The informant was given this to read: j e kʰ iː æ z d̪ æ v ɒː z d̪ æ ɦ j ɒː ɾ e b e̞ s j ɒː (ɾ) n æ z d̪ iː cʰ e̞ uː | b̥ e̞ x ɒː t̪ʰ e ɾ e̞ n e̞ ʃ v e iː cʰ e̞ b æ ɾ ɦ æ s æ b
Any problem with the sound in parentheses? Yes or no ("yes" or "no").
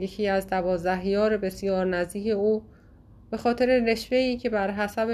no